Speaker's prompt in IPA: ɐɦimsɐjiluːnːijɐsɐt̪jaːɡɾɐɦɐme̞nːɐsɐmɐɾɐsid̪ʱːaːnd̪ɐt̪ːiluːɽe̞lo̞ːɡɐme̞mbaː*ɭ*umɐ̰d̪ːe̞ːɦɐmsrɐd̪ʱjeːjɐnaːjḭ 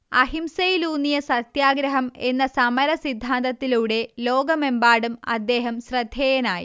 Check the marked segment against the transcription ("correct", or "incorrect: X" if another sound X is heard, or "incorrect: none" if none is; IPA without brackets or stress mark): incorrect: ɽ